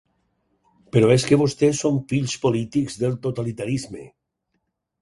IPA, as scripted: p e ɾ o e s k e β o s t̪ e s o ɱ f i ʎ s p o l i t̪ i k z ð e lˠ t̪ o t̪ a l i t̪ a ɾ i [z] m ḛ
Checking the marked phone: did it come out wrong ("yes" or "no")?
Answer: no